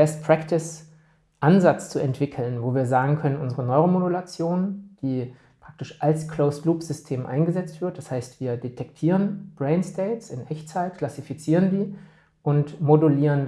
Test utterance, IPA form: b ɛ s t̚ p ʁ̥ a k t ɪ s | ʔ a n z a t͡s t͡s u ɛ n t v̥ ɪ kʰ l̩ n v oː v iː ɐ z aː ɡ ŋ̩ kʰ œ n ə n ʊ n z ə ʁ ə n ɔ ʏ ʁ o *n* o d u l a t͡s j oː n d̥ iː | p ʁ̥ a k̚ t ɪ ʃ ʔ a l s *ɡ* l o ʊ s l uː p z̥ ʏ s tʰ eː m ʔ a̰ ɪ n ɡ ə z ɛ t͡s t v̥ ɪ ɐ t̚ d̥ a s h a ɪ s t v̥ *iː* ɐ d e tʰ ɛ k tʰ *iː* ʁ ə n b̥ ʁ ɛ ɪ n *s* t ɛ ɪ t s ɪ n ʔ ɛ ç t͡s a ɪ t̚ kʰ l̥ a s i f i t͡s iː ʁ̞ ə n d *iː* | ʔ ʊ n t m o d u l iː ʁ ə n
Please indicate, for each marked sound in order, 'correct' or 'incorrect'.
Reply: incorrect: m, incorrect: k, correct, correct, correct, correct

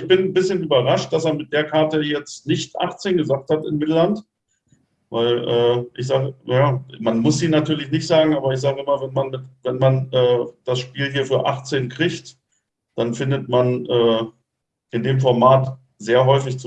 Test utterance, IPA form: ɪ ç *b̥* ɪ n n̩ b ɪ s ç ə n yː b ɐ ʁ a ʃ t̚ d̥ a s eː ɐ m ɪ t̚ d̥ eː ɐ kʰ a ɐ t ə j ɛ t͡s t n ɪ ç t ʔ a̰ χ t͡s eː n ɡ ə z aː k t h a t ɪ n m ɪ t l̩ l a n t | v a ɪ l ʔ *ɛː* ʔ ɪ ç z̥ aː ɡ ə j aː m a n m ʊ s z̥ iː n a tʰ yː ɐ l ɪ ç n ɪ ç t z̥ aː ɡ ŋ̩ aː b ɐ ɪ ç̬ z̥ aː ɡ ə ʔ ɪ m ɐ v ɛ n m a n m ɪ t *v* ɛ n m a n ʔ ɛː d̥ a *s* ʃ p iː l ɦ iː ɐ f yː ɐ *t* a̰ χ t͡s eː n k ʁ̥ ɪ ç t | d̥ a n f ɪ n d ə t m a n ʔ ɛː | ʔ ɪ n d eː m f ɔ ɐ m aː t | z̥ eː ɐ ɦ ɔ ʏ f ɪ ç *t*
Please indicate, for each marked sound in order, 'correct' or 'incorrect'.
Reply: correct, correct, correct, correct, incorrect: ʔ, incorrect: t͡s

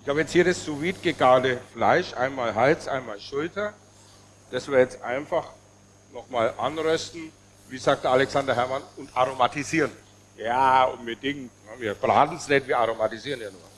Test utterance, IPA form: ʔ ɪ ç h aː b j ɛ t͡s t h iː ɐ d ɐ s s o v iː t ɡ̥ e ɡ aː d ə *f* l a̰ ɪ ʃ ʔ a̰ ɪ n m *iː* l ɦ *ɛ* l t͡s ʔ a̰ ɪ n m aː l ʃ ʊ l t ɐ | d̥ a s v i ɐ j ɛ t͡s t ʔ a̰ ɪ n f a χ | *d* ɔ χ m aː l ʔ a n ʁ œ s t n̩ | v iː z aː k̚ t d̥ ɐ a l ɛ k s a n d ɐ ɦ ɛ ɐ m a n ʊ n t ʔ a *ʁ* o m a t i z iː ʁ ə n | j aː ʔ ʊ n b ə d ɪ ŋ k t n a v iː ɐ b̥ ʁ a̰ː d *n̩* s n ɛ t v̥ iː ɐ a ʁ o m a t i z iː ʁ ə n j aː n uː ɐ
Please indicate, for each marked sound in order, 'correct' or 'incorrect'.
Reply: correct, incorrect: aː, incorrect: a, incorrect: n, correct, correct

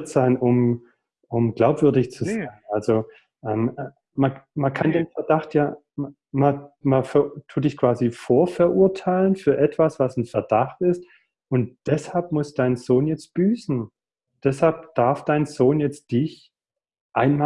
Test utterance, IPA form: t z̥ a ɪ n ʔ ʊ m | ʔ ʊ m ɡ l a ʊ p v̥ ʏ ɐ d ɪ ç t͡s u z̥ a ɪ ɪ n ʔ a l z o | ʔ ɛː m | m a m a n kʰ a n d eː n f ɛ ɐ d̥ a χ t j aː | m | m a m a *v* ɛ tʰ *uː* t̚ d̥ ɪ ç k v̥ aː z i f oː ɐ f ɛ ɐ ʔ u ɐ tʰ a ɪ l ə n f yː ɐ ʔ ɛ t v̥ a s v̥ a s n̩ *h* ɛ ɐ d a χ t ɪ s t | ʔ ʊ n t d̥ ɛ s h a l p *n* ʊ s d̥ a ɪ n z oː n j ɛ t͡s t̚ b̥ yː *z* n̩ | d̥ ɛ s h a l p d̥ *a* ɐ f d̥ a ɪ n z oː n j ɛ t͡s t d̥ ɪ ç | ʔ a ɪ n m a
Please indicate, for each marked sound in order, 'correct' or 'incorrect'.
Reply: incorrect: f, correct, incorrect: f, incorrect: m, incorrect: s, correct

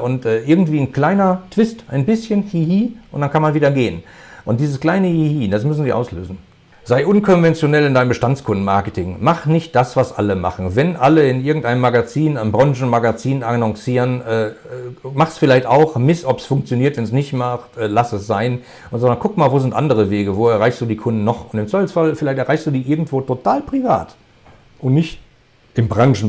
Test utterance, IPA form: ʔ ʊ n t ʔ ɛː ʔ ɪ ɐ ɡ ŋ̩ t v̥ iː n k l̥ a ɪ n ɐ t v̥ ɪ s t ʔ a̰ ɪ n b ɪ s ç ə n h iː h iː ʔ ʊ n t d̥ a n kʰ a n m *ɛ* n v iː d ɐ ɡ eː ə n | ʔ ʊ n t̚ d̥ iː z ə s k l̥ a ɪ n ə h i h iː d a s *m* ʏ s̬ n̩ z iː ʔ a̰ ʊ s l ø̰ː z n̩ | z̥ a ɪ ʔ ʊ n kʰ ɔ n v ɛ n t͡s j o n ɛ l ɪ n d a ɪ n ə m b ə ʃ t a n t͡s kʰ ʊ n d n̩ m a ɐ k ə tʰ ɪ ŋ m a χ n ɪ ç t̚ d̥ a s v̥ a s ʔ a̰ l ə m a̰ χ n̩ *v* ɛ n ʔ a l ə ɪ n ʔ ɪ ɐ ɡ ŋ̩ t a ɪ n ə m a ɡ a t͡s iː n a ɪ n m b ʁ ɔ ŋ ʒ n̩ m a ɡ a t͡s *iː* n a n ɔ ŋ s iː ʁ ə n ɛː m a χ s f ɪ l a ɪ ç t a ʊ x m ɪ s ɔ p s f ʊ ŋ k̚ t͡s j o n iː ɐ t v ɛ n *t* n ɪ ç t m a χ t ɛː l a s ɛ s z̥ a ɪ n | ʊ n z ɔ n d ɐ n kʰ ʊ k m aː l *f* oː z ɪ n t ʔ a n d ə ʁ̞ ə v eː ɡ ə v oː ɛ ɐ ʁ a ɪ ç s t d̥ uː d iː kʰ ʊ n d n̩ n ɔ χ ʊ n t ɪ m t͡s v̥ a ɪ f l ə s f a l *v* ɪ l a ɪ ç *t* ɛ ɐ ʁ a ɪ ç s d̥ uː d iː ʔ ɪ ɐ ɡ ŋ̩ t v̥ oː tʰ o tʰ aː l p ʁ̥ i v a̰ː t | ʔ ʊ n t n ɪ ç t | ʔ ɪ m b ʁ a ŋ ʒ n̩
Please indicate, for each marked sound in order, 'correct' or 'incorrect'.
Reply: incorrect: a, correct, correct, correct, incorrect: s, incorrect: v, incorrect: f, correct

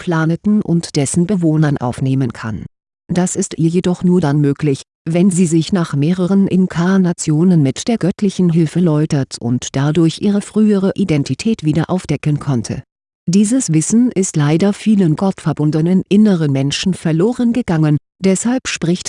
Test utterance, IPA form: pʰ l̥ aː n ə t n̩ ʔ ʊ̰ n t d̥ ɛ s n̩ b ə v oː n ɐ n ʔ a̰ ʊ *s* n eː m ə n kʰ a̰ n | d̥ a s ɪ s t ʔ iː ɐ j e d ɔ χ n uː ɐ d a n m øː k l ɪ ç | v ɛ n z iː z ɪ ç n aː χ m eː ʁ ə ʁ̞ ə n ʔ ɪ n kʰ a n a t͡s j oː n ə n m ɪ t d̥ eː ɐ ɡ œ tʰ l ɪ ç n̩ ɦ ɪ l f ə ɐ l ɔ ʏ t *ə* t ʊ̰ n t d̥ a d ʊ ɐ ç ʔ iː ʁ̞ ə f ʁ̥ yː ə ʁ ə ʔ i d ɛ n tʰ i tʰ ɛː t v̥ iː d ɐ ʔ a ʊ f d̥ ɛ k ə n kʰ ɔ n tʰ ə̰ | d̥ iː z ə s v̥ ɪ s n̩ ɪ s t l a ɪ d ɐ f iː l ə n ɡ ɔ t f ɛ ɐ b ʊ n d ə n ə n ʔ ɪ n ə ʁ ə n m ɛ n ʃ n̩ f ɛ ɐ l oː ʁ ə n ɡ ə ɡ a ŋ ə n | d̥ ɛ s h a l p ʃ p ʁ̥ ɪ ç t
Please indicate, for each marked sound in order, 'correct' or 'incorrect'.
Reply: incorrect: f, incorrect: ɐ

